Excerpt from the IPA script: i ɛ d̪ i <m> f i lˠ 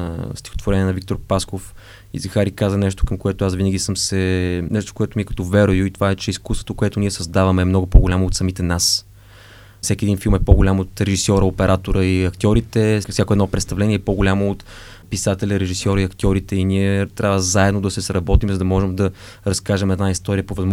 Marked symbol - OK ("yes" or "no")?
no